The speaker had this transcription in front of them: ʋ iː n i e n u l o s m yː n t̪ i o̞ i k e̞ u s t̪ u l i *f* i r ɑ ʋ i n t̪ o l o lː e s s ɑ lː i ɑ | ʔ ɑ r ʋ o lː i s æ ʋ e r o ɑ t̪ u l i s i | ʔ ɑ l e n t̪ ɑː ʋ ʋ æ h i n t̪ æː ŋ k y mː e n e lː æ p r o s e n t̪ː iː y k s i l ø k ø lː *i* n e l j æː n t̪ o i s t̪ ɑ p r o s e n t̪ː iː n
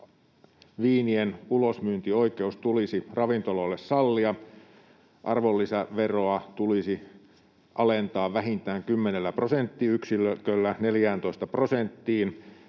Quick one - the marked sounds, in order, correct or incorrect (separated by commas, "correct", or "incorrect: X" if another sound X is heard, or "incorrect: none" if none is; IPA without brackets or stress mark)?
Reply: incorrect: s, incorrect: æ